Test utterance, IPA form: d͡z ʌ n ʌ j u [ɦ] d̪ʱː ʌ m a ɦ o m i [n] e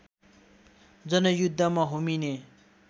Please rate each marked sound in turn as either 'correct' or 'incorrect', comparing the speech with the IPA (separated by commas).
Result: incorrect, correct